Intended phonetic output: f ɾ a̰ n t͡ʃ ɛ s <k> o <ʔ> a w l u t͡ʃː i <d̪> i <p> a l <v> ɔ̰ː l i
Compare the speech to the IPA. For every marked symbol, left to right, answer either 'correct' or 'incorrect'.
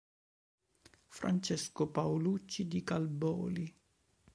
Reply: correct, incorrect: p, correct, incorrect: k, incorrect: b

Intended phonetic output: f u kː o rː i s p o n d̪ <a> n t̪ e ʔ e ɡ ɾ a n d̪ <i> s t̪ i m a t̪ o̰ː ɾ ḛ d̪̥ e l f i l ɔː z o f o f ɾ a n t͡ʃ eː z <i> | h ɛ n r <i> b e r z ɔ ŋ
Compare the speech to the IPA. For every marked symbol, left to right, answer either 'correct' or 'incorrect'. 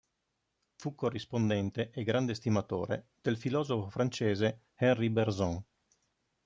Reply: incorrect: ɛ, incorrect: e, incorrect: e, correct

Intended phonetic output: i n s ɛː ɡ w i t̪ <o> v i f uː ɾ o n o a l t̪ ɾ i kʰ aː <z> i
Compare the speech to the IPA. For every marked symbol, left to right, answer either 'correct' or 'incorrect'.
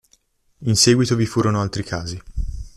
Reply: correct, correct

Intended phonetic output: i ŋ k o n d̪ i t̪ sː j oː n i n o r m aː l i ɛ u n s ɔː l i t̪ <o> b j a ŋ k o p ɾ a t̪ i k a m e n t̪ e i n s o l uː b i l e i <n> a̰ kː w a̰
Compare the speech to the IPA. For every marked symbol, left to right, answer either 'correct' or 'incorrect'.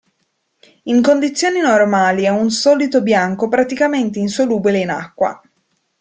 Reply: correct, correct

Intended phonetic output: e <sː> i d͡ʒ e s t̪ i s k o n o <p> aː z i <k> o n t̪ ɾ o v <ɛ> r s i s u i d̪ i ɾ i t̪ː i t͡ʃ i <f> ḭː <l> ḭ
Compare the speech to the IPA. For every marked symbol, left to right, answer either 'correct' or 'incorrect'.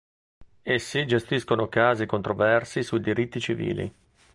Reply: correct, incorrect: k, correct, correct, incorrect: v, correct

